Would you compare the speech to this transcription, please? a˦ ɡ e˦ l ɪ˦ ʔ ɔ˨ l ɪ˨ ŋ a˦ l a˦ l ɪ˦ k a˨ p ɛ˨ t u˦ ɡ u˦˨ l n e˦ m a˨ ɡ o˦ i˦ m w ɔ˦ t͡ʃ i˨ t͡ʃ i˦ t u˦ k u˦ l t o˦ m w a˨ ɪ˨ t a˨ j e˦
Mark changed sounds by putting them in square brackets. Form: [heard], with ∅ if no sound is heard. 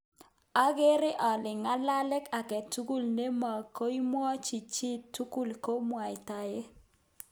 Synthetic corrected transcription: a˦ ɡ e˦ [ɾ] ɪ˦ ʔ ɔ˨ l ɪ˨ ŋ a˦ l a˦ l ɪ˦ k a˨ [k] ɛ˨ t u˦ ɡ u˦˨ l n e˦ m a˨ [k] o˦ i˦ m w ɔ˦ t͡ʃ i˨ t͡ʃ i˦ t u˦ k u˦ l [k] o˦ m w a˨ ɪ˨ t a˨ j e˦